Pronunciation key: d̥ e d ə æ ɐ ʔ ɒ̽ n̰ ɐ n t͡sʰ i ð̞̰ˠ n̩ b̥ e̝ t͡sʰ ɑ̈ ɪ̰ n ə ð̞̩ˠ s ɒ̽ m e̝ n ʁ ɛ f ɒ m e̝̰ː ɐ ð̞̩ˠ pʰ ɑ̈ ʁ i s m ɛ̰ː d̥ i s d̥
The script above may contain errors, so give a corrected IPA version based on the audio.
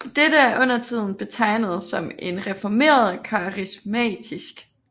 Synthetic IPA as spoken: d̥ e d ə æ ɐ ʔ ɔ̽ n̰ ɐ t͡sʰ i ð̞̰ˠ n̩ b̥ e̝ t͡sʰ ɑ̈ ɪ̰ n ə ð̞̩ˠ s ɒ̽ m e̝ n ʁ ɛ f ɒ m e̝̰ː ɐ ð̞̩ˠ kʰ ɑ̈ ʁ i s m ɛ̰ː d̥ i s ɡ̥